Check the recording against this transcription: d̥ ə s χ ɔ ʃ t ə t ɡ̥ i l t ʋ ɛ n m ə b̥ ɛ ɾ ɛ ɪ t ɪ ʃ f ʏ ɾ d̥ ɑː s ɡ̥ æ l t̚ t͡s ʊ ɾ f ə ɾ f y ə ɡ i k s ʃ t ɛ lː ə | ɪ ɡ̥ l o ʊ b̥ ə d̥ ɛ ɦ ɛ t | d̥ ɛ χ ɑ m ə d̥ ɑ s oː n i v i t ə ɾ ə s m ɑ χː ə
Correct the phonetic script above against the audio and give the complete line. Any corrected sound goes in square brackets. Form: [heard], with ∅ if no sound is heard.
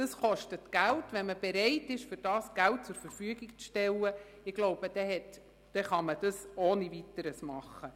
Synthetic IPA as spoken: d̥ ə s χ ɔ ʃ t ə t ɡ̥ [æ] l t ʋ ɛ n m ə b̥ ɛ ɾ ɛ ɪ t ɪ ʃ f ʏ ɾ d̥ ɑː s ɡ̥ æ l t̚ t͡s ʊ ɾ f ə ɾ f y ə ɡ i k [t͡s] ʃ t ɛ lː ə | ɪ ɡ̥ l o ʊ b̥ ə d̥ ɛ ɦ ɛ t | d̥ ɛ χ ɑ m ə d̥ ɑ s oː n i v i t ə ɾ ə s m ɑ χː ə